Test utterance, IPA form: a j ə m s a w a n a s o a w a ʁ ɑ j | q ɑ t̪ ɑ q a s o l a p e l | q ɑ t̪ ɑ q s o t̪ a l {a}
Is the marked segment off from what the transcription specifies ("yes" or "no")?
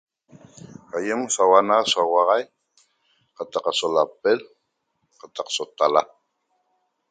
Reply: no